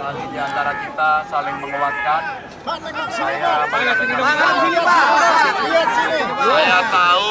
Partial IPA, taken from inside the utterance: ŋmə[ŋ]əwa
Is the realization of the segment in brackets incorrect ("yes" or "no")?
no